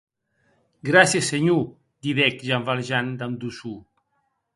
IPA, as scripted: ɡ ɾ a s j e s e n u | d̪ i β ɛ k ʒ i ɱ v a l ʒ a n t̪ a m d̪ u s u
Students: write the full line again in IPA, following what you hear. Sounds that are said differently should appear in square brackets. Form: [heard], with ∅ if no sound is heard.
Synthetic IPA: ɡ ɾ a s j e s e [ɲ] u | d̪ i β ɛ k ʒ [a] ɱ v a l ʒ a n [d̪] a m d̪ u s u